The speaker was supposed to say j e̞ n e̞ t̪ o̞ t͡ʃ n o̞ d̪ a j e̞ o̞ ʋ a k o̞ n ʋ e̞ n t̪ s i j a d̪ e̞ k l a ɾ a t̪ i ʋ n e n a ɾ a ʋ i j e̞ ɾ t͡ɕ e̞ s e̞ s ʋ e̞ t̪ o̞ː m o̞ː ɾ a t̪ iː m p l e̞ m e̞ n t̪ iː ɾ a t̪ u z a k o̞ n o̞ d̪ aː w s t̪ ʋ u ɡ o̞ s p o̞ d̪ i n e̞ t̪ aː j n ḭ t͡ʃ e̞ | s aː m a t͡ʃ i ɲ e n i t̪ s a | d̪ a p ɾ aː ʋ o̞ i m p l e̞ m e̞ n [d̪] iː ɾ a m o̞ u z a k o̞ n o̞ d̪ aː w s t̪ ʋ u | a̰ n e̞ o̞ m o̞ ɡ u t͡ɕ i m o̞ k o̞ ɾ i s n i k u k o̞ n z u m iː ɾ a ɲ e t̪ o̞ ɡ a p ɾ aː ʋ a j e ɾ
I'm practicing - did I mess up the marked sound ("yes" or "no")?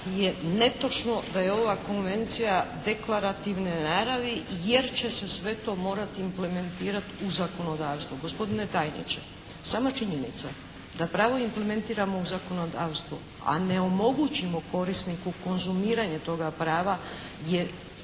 yes